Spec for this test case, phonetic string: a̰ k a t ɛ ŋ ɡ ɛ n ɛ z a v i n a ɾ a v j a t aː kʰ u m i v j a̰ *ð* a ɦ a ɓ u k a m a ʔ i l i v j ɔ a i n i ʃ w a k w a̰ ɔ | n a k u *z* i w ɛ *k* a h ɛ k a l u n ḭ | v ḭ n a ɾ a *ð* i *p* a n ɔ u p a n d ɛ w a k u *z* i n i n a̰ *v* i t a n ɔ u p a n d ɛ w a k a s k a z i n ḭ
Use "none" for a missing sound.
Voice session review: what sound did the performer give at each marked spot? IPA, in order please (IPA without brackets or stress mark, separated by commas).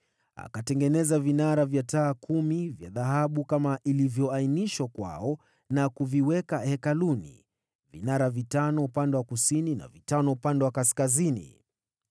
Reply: ð, v, k, v, t, s, v